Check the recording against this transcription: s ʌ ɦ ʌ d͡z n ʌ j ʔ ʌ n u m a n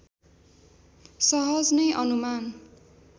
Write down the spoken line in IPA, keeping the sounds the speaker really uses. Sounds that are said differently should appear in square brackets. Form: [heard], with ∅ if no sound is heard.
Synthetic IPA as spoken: s ʌ ɦ ʌ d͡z n ʌ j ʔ ʌ n u m a n